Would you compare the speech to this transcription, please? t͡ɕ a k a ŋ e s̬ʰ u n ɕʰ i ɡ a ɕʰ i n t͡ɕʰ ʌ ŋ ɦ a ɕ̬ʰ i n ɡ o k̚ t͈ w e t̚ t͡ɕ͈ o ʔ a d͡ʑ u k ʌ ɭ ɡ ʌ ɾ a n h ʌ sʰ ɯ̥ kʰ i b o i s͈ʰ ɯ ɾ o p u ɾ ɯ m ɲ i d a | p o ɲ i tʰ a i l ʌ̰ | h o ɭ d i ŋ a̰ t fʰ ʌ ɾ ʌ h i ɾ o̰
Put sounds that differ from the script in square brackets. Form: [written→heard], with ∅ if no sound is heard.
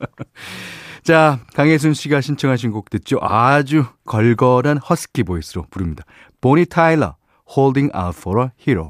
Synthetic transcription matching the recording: t͡ɕ a k a ŋ e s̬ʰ u n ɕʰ i ɡ a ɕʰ i n t͡ɕʰ ʌ ŋ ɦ a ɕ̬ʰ i n ɡ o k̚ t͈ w e t̚ t͡ɕ͈ o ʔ a d͡ʑ u k ʌ ɭ ɡ ʌ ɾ a n h ʌ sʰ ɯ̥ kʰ i b o i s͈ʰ ɯ ɾ o p u ɾ ɯ m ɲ i d a | p o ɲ i tʰ a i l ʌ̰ | h o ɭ d i ŋ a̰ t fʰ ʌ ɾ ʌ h i ɾ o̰